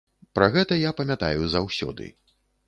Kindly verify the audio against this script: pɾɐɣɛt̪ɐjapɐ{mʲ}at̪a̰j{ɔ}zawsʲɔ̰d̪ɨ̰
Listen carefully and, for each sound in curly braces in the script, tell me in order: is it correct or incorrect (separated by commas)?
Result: correct, incorrect